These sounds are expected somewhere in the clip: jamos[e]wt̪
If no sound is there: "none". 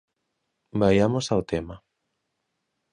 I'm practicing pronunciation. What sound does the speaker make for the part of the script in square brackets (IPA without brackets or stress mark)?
a